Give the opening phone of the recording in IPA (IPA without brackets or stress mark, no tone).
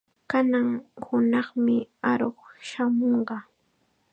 k